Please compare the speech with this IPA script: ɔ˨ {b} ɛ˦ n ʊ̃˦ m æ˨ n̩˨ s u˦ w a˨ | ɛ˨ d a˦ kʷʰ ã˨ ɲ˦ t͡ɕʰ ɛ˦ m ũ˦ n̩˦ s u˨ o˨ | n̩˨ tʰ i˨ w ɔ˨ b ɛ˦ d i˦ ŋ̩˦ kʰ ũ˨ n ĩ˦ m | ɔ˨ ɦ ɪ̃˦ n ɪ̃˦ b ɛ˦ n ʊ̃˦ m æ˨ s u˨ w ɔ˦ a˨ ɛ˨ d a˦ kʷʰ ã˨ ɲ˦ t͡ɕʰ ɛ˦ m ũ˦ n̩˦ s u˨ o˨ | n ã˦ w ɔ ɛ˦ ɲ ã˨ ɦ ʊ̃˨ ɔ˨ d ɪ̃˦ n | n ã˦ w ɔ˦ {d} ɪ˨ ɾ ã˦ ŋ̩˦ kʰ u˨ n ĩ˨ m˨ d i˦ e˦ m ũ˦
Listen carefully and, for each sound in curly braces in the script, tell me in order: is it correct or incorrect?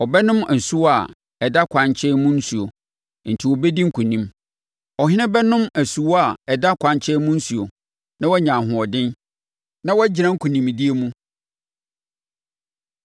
correct, incorrect: d͡ʑ

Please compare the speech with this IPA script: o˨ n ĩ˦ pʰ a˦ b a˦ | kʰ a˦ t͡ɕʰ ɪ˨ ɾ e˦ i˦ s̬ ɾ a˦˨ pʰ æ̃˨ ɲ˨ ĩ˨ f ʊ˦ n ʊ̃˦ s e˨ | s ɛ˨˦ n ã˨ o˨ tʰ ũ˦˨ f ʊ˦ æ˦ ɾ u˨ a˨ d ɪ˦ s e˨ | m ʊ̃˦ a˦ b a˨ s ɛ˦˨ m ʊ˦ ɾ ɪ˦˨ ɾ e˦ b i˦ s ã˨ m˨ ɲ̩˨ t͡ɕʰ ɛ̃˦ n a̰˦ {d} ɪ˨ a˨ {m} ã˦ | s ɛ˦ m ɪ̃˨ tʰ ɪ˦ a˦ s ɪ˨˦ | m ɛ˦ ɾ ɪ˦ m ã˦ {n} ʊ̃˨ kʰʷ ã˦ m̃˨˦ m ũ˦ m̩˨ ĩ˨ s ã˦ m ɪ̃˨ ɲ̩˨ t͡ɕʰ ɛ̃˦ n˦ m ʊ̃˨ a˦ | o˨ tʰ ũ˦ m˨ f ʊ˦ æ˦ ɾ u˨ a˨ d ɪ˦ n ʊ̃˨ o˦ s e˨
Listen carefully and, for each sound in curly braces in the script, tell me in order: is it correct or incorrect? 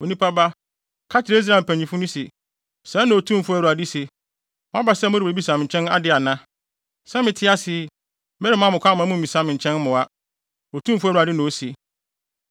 correct, incorrect: n, incorrect: m

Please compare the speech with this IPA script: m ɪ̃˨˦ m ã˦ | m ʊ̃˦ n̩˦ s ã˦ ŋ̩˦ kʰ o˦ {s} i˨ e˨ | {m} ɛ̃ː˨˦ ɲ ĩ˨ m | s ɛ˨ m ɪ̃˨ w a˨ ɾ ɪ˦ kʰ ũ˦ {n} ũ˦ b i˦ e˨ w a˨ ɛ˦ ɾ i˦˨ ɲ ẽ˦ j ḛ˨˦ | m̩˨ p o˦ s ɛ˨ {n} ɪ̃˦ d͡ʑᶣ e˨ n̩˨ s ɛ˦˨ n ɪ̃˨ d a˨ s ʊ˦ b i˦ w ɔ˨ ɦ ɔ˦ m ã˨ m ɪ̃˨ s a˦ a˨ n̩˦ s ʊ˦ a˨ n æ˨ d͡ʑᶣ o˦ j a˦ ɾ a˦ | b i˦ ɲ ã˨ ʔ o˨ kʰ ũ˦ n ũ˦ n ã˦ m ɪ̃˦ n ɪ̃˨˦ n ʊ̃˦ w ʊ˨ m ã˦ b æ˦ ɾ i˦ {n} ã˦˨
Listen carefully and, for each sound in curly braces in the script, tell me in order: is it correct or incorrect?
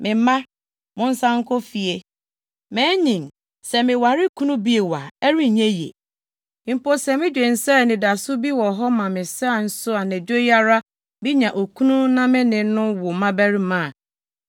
incorrect: f, correct, correct, incorrect: m, incorrect: m

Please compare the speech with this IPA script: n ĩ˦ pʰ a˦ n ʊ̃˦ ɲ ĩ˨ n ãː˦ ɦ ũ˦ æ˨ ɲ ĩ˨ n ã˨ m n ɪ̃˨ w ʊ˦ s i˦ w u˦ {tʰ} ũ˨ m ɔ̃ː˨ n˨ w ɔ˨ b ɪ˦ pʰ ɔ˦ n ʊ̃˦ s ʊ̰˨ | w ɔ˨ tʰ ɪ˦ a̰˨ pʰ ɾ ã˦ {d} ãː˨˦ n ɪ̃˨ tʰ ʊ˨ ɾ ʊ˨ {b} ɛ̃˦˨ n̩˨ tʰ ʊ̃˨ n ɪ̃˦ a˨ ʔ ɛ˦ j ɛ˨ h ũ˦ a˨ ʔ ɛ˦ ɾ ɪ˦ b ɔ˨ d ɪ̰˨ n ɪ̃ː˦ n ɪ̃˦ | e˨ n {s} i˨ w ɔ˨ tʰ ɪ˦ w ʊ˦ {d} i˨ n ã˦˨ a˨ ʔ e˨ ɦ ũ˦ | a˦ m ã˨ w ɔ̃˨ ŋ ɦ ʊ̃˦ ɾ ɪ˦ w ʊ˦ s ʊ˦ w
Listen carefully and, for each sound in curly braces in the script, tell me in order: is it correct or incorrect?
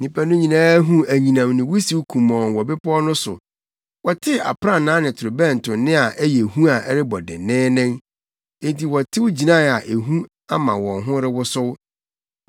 incorrect: kʰ, incorrect: n, correct, incorrect: t, incorrect: d͡ʑ

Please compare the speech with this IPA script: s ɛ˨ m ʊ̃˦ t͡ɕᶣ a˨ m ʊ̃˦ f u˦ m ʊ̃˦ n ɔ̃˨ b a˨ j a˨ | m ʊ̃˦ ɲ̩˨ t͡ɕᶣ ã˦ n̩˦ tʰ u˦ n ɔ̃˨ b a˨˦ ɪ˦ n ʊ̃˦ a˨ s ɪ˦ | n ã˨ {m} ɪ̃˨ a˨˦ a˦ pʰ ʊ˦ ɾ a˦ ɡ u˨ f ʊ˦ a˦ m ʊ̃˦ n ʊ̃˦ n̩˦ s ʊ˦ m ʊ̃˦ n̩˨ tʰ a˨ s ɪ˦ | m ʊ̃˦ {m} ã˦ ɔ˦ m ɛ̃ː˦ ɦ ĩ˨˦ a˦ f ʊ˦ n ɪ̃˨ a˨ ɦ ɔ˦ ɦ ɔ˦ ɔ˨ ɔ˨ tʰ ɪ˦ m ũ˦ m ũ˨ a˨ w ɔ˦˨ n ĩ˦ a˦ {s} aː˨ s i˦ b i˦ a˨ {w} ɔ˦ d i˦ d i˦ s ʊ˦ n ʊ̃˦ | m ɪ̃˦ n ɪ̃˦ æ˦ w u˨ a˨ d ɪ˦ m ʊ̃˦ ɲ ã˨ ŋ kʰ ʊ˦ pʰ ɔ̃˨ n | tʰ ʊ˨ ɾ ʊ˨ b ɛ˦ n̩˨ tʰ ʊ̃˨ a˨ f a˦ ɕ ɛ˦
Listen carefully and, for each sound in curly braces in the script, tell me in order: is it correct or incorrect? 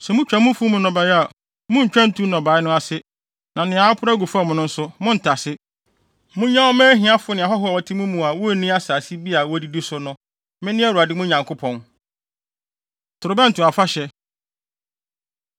incorrect: n, incorrect: ɲ, correct, correct

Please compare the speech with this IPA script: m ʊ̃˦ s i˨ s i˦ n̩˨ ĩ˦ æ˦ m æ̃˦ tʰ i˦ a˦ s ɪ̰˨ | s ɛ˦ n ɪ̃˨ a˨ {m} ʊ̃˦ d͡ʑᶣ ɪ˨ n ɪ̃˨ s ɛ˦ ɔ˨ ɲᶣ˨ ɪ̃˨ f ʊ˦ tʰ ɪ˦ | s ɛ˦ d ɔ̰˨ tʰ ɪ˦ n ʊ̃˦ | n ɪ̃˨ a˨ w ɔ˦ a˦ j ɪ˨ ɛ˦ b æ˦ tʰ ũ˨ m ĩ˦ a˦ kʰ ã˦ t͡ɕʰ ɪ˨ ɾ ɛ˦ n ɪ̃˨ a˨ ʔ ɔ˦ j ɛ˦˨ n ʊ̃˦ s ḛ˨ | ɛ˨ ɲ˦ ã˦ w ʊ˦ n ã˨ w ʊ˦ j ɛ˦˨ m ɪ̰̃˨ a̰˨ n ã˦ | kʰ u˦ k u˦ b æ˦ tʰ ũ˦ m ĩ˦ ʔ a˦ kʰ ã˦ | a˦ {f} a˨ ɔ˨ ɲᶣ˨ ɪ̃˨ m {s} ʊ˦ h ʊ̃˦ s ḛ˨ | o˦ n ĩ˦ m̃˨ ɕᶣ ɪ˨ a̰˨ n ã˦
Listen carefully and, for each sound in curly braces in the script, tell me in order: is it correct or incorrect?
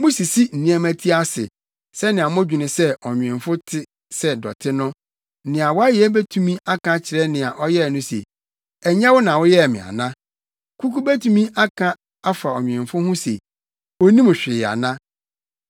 correct, correct, incorrect: f

